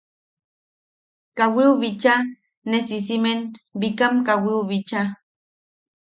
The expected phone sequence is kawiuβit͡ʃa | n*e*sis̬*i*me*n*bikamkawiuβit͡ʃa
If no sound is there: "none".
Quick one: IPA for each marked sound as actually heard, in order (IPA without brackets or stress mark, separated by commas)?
e, i, n